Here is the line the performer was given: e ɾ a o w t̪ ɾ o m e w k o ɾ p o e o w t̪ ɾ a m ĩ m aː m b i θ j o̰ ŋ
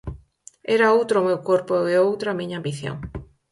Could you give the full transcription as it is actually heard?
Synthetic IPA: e ɾ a o w t̪ ɾ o m e w k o ɾ p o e o w t̪ ɾ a m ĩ ɲ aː m b i θ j o̰ ŋ